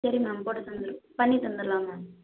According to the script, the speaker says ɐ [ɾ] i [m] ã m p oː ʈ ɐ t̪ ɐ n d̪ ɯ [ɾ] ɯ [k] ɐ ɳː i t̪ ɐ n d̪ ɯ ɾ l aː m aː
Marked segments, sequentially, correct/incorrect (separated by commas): correct, correct, correct, incorrect